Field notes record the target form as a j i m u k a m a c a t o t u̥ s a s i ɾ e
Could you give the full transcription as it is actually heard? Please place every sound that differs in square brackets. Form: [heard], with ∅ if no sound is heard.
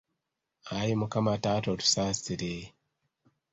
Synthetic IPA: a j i m u k a m a [t] a t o t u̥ s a s i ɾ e

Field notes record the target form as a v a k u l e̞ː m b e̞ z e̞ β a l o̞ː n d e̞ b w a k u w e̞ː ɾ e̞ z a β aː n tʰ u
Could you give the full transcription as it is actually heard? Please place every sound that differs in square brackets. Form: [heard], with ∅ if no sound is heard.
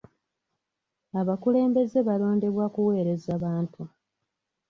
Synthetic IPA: a [β] a k u l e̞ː m b e̞ z e̞ β a l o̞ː n d e̞ [β] w a k u w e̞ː ɾ e̞ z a β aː n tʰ u

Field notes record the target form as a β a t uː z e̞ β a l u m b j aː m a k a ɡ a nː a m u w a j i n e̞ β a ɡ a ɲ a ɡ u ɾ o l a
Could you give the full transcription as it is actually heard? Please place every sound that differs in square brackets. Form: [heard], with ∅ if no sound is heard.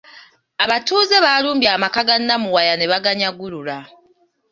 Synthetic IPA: a β a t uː z e̞ β a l [uː] m b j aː m a k a ɡ a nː a m u w a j [a] n e̞ β a ɡ a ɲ a ɡ u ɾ [u] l a

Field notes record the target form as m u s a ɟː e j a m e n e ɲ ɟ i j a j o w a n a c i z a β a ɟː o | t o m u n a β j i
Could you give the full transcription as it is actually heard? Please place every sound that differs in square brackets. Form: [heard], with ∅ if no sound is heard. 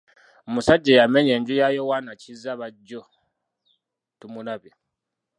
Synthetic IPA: m u s a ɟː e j a m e [ɲ] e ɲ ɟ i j a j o w a n a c i z a β a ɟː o | t [u] m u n a β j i

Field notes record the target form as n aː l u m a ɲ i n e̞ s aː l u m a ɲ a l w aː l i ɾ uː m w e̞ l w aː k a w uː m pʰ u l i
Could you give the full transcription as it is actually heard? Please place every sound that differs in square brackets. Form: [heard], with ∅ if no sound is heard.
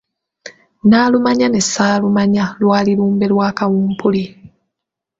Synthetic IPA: n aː l u m a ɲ [a] n e̞ s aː l u m a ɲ a l w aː l i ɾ uː m [b] e̞ l w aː k a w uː m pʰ u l i

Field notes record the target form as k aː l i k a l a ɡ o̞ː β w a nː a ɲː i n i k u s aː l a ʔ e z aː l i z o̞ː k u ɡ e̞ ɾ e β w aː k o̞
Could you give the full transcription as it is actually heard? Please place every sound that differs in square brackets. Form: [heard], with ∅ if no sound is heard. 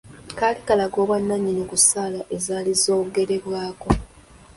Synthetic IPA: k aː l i k a l a ɡ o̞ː β w a nː a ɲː i n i k u s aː l a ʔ e z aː l i z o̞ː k u ɡ e̞ ɾ e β w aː k o̞

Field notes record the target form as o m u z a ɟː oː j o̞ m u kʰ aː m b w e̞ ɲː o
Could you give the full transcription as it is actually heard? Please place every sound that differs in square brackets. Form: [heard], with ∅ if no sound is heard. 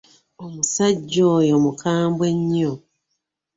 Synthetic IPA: o m u [s] a ɟː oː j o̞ m u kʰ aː m b w e̞ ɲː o

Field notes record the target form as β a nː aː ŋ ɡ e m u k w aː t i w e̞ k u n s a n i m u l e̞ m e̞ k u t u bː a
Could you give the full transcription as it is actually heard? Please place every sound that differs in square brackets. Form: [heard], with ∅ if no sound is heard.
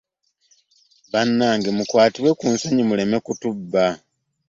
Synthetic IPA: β a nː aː ŋ ɡ e m u k w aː t i w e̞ k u n s a [ɲ] i m u l e̞ m e̞ k u t u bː a

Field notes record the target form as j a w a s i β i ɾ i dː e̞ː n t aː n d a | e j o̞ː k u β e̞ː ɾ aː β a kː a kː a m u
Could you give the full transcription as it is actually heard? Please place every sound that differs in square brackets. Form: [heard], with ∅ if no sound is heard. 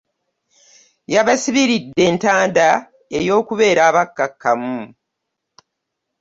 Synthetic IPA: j a [β] a s i β i ɾ i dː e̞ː n t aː n d a | e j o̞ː k u β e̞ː ɾ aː β a kː a kː a m u

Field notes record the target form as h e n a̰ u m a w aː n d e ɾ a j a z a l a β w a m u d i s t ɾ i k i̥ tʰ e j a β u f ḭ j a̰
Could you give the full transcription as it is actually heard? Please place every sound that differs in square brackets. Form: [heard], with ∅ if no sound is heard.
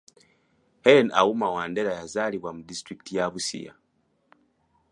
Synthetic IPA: h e n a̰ u m a w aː n d e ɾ a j a z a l [i] β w a m u d i s t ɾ i k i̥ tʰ [i] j a β u [s] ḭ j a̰

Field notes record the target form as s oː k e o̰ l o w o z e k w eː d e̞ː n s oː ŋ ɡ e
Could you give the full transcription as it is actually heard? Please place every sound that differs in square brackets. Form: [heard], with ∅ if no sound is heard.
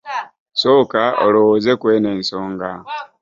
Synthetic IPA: s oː k [a] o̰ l o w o z e k w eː [n] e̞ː n s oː ŋ ɡ [a]

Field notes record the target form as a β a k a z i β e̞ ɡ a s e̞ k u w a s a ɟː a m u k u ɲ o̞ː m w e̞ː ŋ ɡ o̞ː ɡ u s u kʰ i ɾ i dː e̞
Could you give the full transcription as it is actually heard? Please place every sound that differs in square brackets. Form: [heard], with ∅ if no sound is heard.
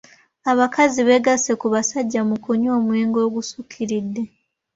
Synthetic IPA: a β a k a z i β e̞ ɡ a s e̞ k u [β] a s a ɟː a m u k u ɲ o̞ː m w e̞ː ŋ ɡ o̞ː ɡ u s u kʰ i ɾ i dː e̞

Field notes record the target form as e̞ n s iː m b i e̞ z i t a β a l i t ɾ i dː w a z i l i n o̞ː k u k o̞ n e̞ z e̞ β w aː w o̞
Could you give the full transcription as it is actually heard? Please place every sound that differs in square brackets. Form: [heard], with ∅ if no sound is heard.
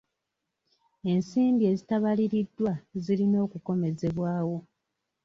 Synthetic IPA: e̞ n s iː m b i e̞ z i t a β a l i [∅] ɾ i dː w a z i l i n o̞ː k u k o̞ [m] e̞ z e̞ β w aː w o̞

